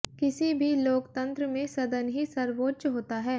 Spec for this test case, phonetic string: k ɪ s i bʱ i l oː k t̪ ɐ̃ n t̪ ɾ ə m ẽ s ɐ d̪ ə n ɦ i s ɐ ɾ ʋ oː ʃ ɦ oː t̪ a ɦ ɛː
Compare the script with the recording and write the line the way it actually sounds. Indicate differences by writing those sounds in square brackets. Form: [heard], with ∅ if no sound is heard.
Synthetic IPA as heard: k ɪ s i bʱ i l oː k t̪ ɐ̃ n t̪ ɾ ə m ẽ s ɐ d̪ ə n ɦ i s ɐ ɾ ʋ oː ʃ ɦ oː t̪ a ɦ ɛː